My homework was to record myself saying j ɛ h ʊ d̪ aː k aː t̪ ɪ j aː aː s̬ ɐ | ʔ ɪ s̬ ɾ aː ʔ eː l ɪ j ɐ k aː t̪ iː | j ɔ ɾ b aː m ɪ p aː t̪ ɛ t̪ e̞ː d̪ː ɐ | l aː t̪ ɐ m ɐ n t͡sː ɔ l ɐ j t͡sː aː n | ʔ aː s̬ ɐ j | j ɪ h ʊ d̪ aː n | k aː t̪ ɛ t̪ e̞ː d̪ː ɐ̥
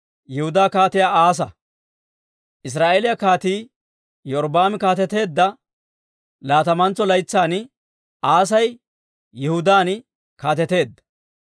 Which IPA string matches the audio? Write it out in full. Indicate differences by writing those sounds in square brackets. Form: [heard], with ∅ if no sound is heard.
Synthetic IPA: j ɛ h ʊ d̪ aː k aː t̪ ɪ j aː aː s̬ ɐ | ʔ ɪ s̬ ɾ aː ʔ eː l ɪ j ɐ k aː t̪ iː | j ɔ ɾ b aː m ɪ [k] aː t̪ ɛ t̪ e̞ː d̪ː ɐ | l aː t̪ ɐ m ɐ n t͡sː ɔ l ɐ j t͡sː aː n | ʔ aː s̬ ɐ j | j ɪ h ʊ d̪ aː n | k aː t̪ ɛ t̪ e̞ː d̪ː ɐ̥